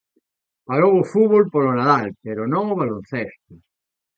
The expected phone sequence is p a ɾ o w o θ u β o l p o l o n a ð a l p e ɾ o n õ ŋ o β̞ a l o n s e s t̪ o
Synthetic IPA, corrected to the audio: p a ɾ o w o f u β o l p o l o n a ð a l p e ɾ o n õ ŋ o β̞ a l o n θ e s t̪ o